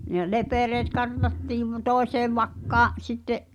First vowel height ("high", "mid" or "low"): mid